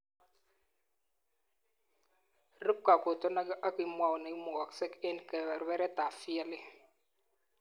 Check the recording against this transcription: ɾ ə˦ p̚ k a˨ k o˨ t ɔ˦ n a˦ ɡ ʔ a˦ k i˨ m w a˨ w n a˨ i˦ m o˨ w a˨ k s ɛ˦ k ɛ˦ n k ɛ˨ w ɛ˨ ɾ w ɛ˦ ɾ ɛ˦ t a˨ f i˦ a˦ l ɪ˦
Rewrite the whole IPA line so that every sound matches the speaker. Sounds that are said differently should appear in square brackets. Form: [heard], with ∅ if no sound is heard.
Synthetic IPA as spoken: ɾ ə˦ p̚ k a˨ k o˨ t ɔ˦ n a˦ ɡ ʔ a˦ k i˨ m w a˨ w n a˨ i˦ m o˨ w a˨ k s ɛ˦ k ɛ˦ n k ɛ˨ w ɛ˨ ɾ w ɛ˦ ɾ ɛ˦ t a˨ f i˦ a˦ l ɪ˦